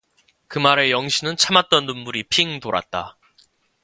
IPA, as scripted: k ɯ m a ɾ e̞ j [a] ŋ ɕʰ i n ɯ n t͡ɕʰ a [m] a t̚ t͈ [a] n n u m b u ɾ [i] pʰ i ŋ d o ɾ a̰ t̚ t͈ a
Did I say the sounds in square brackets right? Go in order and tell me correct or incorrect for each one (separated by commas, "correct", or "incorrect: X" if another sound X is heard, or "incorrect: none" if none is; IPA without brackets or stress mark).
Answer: incorrect: ʌ, correct, incorrect: ʌ, correct